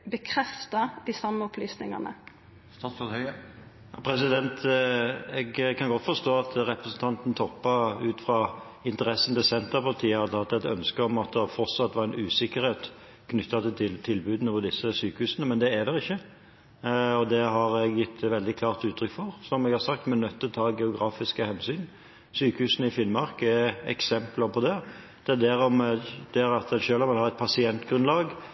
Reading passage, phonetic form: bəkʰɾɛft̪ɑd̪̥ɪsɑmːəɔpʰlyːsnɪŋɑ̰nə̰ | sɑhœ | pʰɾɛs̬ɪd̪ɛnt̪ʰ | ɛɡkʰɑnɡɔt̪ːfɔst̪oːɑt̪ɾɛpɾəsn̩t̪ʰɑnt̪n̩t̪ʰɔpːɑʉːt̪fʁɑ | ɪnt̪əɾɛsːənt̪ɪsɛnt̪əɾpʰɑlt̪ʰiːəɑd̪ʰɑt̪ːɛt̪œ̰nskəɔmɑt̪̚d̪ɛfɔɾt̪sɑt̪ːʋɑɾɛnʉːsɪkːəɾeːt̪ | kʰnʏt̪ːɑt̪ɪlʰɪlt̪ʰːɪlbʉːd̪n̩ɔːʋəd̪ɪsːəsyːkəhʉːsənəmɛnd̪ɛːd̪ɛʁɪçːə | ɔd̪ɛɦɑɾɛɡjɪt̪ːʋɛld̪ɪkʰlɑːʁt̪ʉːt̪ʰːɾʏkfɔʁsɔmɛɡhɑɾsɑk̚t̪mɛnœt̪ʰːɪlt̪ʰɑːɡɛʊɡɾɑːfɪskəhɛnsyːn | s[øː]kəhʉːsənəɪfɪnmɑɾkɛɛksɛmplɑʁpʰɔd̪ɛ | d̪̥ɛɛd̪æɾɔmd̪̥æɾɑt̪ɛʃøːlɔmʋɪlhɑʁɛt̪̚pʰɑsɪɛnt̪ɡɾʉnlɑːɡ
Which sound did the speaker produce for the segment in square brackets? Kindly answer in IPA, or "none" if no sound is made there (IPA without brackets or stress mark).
yː